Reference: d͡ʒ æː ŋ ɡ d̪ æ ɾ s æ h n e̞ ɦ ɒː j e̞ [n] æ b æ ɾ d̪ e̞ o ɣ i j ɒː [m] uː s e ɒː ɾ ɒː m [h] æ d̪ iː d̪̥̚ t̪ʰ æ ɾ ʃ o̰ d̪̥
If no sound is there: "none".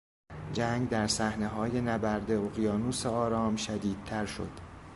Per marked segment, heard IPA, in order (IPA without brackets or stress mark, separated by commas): n, n, ʃ